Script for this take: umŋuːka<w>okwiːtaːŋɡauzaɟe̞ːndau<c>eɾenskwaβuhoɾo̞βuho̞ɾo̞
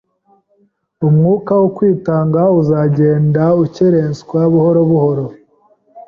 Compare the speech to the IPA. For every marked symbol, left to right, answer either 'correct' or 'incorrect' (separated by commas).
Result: correct, correct